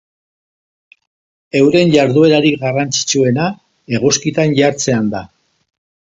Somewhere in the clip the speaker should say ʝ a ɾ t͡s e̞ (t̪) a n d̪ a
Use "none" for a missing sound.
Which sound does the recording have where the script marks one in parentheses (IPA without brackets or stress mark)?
none